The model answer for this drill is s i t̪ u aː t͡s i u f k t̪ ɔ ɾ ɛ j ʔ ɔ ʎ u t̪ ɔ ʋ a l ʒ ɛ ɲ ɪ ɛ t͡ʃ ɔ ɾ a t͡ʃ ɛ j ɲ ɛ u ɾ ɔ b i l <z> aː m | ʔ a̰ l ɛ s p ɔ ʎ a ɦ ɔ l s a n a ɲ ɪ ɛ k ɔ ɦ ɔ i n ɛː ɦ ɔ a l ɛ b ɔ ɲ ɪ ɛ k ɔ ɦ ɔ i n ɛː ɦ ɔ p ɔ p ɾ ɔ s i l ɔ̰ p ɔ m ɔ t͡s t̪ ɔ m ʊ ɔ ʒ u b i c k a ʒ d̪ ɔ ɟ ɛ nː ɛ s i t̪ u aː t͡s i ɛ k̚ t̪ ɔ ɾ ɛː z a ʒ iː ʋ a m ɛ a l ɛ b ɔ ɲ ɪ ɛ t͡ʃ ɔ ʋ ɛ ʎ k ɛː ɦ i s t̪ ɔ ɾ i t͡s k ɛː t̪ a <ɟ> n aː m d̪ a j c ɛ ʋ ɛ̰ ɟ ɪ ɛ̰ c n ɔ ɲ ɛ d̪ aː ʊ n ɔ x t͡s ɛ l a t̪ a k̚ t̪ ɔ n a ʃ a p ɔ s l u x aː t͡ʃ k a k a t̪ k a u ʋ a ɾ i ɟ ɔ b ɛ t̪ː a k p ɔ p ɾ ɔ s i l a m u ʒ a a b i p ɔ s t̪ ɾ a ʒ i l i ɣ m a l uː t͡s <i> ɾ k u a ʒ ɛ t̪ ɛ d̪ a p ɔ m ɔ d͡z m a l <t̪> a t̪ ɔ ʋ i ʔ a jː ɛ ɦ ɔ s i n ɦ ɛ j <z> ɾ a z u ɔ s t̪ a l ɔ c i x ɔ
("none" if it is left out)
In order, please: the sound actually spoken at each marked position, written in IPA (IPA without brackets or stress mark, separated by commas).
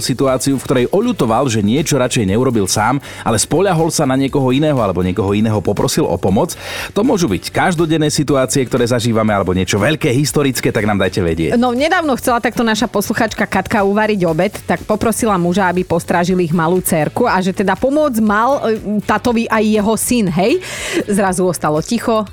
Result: s, ɡ, ɛ, t̪, z